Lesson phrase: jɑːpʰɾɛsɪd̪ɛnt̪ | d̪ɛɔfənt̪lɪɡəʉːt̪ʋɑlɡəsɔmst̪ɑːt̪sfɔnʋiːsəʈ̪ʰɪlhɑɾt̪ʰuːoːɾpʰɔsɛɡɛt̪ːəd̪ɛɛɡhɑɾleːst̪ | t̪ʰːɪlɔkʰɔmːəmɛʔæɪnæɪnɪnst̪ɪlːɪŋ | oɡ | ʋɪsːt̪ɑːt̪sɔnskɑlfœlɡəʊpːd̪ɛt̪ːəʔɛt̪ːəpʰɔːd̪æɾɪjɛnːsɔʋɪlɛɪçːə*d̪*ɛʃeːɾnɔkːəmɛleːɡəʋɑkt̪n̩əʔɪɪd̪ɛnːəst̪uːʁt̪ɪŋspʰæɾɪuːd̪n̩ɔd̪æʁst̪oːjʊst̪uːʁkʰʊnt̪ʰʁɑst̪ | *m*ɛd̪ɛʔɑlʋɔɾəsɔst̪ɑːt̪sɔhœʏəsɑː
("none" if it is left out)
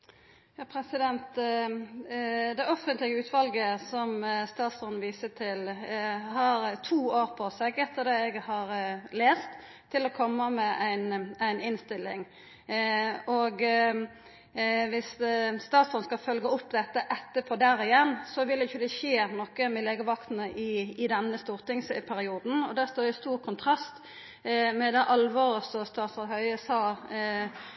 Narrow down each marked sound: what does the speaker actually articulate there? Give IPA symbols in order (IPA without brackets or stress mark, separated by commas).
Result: d̪, m